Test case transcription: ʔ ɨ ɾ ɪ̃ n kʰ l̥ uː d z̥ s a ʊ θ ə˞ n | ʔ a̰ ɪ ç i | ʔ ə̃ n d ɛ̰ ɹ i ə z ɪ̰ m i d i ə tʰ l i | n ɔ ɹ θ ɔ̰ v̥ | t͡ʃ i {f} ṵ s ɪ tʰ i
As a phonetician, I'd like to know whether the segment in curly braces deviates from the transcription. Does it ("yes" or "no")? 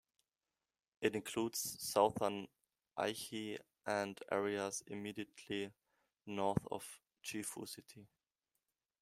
no